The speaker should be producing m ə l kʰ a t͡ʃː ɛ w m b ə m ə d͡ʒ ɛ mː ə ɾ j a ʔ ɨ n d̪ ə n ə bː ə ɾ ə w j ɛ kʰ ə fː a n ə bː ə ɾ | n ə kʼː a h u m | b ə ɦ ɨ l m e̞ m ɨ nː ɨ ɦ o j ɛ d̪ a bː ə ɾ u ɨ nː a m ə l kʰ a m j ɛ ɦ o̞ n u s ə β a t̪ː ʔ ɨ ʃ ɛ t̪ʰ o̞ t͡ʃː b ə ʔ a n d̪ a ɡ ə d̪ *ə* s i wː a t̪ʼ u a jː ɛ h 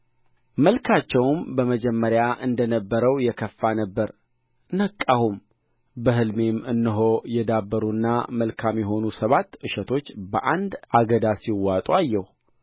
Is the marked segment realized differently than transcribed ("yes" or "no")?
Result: yes